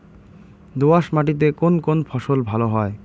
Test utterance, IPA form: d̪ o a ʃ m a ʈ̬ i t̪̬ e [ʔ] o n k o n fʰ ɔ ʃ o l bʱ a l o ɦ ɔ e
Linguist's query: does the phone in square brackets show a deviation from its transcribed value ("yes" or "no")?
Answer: yes